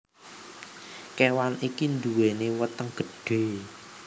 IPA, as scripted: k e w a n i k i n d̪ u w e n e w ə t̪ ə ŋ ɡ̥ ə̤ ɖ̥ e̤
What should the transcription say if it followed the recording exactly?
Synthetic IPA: k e w a n i k i n d̪ u w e n e w ə t̪ ə ŋ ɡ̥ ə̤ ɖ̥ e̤